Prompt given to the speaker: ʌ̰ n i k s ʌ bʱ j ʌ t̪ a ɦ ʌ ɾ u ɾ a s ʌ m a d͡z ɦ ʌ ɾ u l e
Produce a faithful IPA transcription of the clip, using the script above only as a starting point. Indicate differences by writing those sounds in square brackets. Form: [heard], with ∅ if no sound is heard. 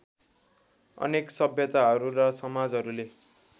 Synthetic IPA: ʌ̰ n [e] k s ʌ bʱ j ʌ t̪ a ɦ ʌ ɾ u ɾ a s ʌ m a d͡z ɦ ʌ ɾ u l e